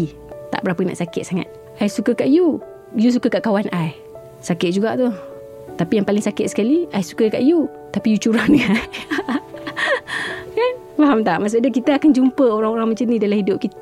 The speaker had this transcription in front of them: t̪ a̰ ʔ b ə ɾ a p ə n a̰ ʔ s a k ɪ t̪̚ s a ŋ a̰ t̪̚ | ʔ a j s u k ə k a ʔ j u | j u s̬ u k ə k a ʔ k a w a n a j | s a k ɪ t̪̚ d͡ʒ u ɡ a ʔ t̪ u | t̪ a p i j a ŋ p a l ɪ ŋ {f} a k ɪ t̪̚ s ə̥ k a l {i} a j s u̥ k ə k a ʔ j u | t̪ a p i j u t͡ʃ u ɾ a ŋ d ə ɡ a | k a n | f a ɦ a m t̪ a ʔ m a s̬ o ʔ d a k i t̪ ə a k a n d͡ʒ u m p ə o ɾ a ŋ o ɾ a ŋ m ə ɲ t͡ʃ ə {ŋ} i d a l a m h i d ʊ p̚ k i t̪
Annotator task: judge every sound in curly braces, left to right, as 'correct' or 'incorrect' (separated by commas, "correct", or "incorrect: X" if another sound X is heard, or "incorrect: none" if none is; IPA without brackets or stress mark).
incorrect: s, correct, incorrect: n